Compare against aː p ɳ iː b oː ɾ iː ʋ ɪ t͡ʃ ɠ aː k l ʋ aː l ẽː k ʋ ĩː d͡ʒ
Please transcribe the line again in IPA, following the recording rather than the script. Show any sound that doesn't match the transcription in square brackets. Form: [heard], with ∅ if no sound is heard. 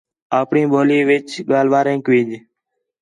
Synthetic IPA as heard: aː p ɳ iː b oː [l] iː ʋ ɪ t͡ʃ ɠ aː [∅] l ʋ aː [ɾ] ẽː k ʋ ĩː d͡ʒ